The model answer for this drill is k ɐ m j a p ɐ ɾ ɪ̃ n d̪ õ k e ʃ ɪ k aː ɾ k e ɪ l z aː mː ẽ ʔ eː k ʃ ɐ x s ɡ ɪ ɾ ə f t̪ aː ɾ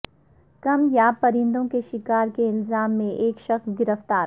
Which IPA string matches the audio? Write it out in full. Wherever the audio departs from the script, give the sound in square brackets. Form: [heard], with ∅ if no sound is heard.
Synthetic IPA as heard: k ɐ m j a p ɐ ɾ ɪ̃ n d̪ õ k e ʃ ɪ k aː ɾ k e ɪ l z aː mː ẽ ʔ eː k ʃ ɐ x s ɡ ɪ ɾ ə f t̪ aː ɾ